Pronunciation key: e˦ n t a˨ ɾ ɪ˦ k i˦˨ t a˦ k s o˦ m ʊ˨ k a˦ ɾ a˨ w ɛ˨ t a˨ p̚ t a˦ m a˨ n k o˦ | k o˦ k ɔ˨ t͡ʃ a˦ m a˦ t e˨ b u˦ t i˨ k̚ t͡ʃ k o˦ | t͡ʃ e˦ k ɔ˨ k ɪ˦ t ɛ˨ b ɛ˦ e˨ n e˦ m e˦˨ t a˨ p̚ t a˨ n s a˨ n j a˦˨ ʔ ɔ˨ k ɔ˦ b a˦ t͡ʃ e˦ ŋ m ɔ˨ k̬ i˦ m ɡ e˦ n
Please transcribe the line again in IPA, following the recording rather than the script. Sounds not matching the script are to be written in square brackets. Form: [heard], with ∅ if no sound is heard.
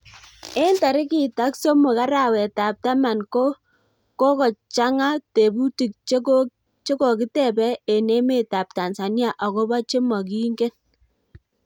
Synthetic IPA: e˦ n t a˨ ɾ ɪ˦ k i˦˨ t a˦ k s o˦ m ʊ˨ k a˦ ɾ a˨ w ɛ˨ t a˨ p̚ t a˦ m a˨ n k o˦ | k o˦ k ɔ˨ t͡ʃ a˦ [ŋ] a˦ t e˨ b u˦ t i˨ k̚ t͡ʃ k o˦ | t͡ʃ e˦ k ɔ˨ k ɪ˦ t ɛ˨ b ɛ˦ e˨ n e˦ m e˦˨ t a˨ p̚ t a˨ n s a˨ n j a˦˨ ʔ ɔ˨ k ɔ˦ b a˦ t͡ʃ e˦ [∅] m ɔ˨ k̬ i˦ [ŋ] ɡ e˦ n